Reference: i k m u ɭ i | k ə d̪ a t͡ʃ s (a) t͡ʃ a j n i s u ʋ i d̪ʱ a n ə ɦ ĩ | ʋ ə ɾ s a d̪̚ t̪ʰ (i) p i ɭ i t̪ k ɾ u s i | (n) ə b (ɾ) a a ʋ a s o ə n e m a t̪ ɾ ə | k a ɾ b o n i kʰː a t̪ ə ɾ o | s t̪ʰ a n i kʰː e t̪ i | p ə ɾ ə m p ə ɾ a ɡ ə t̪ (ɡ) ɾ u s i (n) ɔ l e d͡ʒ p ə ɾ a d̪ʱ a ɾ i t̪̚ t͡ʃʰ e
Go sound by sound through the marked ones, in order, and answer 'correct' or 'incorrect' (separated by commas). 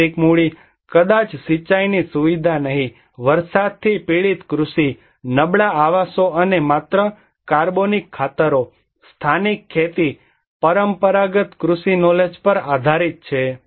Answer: incorrect, correct, correct, incorrect, incorrect, correct